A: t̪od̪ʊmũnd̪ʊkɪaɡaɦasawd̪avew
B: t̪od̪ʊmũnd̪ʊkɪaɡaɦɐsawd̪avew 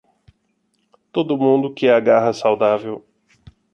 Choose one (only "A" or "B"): B